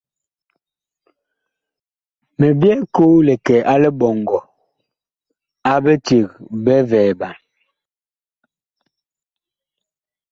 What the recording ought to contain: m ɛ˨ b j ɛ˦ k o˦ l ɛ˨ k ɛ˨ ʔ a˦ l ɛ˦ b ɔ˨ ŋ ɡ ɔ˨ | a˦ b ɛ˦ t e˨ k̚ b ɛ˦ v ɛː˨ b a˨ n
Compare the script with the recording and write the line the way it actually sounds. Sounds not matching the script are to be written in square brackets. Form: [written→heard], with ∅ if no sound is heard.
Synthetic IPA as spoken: m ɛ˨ b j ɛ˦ k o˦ l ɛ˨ k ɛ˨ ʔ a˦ l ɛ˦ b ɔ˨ ŋ ɡ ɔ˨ | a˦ b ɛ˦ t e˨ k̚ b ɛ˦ v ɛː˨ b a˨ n